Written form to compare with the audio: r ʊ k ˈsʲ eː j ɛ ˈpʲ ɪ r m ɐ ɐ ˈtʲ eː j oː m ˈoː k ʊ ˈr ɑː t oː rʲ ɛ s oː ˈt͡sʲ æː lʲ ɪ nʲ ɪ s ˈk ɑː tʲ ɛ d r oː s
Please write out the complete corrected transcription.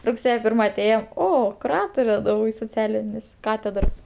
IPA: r ʊ k ˈsʲ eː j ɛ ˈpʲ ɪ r m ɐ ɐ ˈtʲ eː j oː m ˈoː k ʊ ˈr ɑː t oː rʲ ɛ s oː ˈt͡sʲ æː lʲ ɪ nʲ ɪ s ˈk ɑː tʲ ɛ d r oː s